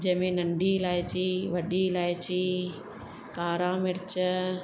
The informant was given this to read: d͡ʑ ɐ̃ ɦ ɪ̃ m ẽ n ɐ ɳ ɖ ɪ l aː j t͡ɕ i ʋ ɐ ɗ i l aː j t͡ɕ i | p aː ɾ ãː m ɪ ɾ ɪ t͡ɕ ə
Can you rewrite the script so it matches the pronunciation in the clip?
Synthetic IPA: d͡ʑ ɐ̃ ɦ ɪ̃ m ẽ n ɐ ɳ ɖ i l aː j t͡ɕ i ʋ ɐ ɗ i l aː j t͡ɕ i | k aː ɾ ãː m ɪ ɾ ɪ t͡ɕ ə